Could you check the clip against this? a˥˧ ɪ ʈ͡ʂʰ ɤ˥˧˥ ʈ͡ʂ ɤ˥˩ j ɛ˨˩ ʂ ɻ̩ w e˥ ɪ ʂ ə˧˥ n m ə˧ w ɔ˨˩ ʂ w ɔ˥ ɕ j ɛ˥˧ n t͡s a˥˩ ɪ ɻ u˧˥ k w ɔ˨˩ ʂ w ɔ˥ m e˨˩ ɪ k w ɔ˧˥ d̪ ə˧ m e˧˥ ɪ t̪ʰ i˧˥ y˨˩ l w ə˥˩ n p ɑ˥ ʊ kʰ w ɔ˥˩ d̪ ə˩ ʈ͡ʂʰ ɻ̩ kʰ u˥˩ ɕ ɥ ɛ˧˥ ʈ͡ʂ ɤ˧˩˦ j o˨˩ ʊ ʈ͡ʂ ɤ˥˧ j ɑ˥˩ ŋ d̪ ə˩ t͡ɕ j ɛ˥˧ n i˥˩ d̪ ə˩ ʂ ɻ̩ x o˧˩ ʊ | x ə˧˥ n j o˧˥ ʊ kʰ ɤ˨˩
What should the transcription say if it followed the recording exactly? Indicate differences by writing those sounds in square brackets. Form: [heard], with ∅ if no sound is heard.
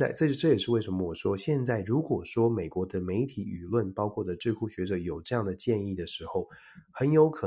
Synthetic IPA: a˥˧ ɪ [ʈ͡ʂ] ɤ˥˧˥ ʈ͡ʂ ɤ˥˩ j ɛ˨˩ ʂ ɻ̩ w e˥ ɪ ʂ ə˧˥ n m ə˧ w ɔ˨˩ ʂ w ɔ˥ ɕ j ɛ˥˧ n t͡s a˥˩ ɪ ɻ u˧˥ k w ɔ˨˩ ʂ w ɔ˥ m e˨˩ ɪ k w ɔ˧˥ d̪ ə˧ m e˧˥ ɪ t̪ʰ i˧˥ y˨˩ l w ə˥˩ n p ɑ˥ ʊ kʰ w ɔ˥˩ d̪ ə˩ [ʈ͡ʂ] ɻ̩ kʰ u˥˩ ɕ ɥ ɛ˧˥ ʈ͡ʂ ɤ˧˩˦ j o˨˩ ʊ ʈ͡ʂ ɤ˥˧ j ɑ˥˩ ŋ d̪ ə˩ t͡ɕ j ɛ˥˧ n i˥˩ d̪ ə˩ ʂ ɻ̩ x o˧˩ ʊ | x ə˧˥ n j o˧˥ ʊ kʰ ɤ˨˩